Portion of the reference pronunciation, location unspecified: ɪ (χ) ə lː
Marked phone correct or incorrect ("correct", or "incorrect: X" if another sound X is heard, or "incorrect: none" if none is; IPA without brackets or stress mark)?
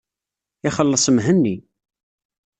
correct